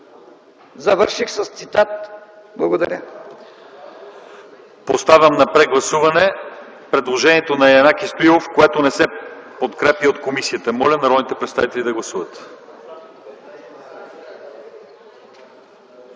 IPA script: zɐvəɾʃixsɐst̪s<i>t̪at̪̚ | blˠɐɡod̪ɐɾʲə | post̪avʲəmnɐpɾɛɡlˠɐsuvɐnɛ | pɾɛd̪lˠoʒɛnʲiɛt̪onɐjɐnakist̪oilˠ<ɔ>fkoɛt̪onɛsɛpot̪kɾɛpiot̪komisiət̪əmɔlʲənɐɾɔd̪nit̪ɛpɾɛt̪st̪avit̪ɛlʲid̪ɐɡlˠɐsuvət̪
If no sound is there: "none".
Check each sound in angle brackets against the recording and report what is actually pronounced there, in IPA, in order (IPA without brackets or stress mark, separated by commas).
i, o